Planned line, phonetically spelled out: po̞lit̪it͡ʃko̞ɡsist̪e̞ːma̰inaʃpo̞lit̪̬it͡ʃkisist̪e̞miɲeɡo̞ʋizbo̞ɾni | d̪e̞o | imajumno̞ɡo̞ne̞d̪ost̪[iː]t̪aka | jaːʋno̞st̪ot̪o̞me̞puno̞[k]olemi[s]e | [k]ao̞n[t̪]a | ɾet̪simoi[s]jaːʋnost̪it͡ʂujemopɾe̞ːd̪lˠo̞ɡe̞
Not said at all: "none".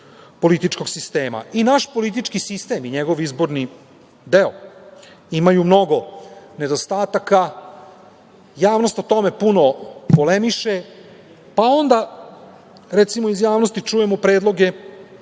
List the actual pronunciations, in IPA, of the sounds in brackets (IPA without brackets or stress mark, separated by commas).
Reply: aː, p, ʃ, p, d̪, z